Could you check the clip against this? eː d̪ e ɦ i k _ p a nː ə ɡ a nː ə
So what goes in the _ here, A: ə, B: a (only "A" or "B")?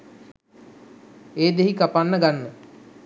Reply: B